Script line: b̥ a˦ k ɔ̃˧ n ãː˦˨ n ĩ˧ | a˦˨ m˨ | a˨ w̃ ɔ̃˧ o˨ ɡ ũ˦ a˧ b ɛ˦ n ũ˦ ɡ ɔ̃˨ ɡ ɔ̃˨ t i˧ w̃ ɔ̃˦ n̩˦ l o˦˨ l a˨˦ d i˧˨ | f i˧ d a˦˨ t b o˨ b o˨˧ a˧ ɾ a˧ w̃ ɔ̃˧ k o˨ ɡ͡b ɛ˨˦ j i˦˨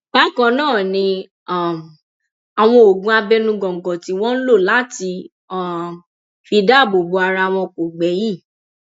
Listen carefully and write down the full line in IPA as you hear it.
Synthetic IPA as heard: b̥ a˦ k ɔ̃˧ n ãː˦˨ n ĩ˧ | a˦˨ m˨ | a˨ w̃ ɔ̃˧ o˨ ɡ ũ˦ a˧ b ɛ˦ n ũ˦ ɡ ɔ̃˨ ɡ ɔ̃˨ t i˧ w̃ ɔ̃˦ n̩˦ l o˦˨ l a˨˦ t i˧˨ | f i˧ d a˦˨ b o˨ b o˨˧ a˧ ɾ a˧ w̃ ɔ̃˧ k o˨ ɡ͡b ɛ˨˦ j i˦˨